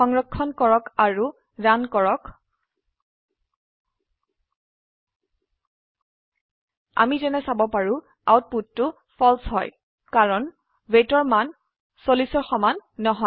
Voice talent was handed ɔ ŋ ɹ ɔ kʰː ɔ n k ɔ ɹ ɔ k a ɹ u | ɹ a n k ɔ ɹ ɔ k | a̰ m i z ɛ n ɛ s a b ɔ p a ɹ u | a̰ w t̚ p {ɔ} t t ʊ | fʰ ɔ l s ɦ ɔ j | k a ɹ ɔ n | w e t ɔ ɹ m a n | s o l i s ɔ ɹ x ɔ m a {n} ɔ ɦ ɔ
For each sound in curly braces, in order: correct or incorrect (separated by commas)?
incorrect, incorrect